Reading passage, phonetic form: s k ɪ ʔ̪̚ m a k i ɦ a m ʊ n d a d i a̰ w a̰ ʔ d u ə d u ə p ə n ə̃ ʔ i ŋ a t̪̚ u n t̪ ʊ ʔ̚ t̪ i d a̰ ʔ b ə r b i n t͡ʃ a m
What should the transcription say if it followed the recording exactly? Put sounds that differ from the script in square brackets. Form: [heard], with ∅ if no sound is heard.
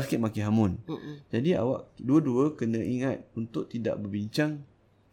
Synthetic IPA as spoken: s k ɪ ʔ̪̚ m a k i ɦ a m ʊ n [d͡ʒ] a d i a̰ w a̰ ʔ d u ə d u ə [k] ə n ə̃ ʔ i ŋ a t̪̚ u n t̪ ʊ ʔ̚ t̪ i d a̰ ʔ b ə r b i [ɲ] t͡ʃ a [ŋ]